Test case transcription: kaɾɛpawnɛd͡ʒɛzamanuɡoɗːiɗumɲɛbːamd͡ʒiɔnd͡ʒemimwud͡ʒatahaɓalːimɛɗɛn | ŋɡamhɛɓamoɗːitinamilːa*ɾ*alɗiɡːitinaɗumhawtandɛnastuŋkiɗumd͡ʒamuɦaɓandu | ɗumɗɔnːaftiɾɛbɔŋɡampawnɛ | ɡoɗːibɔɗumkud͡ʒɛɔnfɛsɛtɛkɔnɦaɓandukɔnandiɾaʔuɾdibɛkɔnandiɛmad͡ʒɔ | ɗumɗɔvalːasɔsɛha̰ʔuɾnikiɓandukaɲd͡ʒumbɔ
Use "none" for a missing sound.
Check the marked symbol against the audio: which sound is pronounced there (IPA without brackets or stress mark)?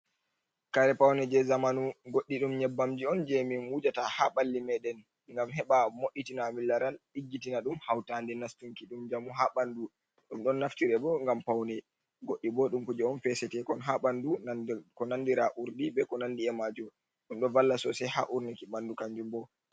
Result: ɾ